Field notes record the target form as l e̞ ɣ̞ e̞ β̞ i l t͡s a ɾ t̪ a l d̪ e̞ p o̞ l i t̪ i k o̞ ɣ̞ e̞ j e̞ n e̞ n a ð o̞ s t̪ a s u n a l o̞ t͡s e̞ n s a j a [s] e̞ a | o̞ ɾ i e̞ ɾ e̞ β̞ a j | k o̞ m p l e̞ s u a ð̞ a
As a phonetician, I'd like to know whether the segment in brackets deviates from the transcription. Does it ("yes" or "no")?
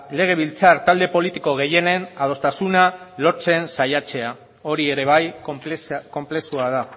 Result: yes